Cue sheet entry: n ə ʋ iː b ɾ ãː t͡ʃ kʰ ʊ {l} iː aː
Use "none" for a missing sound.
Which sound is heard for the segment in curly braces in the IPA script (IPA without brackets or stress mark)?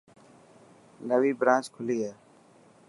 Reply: l